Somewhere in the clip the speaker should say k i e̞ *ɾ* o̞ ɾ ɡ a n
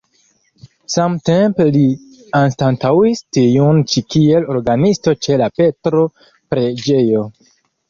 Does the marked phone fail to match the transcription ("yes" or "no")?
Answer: yes